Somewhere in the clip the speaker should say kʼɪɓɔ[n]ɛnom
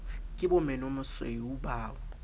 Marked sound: incorrect: m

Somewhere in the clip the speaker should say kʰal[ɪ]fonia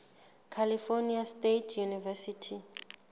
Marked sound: incorrect: i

